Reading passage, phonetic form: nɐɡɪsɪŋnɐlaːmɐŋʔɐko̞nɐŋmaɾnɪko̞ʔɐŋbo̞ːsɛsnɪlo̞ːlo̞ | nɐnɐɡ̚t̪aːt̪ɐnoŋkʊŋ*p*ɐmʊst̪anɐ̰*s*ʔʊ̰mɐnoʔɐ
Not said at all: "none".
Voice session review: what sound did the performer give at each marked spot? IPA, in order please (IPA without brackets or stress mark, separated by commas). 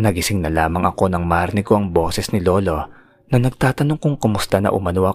k, none